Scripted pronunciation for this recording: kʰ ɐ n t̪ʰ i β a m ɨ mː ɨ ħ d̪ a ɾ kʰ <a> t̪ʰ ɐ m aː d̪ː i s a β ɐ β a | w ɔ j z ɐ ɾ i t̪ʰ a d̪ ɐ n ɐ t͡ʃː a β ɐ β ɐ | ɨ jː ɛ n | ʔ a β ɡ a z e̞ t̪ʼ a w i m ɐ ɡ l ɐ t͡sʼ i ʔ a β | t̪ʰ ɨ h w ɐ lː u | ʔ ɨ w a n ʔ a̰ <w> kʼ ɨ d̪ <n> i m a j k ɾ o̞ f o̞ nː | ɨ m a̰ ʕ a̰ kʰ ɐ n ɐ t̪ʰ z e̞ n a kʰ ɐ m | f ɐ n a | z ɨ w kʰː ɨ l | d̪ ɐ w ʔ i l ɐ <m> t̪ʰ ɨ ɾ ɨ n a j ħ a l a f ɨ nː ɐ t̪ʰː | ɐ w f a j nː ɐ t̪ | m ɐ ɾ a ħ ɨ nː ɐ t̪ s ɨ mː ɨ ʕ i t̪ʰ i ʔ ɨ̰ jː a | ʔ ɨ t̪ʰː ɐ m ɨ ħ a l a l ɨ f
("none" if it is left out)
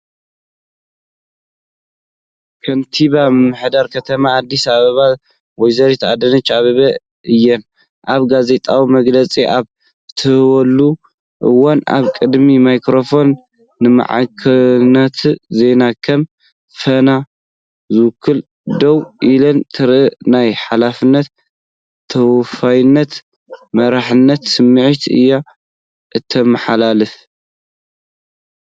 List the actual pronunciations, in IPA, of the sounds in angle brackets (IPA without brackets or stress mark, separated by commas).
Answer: ɐ, β, m, n